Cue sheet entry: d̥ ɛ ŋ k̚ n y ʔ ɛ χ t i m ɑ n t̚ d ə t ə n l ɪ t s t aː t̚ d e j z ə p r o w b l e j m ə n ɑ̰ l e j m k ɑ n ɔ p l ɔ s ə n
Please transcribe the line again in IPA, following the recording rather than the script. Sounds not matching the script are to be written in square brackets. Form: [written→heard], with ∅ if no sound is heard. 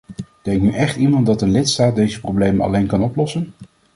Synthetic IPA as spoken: d̥ ɛ ŋ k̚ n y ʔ ɛ χ t i m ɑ n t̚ d [ə→ɑ] t ə n l ɪ t s t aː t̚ d e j z ə p r o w b l e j m ə n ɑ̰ l e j [m→n] k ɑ n ɔ p l ɔ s ə n